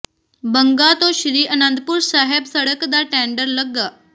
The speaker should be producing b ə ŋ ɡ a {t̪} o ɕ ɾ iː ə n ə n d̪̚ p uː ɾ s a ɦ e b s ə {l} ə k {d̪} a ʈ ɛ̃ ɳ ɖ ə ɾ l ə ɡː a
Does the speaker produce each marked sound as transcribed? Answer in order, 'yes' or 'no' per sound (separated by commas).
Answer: yes, no, yes